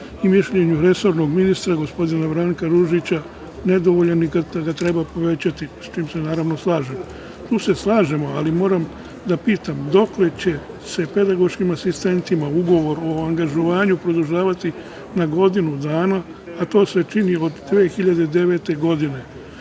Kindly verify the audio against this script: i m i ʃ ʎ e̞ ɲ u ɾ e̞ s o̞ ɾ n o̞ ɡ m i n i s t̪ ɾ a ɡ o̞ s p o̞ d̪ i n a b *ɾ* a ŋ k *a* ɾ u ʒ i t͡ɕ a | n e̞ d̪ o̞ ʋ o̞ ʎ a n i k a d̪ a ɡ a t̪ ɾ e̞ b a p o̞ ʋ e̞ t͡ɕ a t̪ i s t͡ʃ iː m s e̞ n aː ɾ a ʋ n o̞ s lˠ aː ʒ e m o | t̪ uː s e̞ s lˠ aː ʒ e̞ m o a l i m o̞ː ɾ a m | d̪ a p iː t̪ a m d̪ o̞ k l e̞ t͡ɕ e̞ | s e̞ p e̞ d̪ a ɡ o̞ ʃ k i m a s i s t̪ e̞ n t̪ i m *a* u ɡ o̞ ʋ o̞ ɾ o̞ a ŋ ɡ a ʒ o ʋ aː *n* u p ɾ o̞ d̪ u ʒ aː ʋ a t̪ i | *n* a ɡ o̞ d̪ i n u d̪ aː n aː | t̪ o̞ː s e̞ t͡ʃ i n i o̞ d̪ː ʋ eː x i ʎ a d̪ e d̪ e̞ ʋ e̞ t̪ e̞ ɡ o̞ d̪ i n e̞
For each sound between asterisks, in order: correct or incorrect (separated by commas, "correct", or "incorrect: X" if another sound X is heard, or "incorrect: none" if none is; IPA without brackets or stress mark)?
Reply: correct, correct, correct, incorrect: ɲ, correct